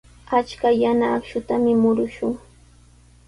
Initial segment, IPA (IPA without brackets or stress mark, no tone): a